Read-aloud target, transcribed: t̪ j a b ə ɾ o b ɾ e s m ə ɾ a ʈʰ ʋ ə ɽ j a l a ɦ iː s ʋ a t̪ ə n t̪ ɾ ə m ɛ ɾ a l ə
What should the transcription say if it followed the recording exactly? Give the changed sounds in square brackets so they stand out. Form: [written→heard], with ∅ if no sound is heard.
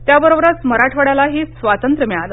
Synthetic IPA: t̪ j a b ə ɾ o b ɾ [e→a] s m ə ɾ a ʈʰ ʋ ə ɽ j a l a ɦ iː s ʋ a t̪ ə n t̪ ɾ ə m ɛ [ɾ→ɭ] a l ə